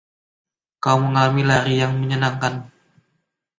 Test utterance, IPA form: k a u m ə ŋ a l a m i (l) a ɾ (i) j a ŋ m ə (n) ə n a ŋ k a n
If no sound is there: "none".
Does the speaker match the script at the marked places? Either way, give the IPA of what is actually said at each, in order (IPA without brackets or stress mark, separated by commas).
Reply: l, i, ɲ